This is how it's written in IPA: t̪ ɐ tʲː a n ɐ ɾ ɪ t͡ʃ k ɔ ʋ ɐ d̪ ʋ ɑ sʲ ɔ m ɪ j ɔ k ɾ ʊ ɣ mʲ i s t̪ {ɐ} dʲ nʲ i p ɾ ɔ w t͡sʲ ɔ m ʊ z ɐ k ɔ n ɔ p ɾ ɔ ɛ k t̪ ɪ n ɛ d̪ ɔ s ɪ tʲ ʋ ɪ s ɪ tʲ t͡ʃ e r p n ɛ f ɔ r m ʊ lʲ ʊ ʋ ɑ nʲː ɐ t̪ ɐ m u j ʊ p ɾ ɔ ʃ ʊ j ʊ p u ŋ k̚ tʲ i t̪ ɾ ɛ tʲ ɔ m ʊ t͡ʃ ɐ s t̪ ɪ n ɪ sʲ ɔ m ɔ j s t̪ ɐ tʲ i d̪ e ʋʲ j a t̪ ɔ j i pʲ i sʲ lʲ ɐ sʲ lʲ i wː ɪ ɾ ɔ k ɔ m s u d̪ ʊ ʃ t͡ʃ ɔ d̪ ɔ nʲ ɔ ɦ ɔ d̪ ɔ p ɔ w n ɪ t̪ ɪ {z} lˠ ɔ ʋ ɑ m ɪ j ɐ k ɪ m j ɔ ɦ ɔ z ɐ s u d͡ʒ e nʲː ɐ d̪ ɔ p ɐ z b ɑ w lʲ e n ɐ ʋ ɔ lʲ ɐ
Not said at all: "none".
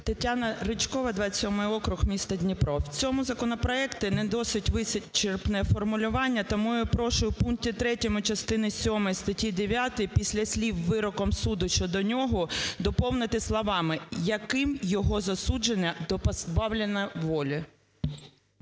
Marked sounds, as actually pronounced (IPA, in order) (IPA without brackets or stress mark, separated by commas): ɐ, s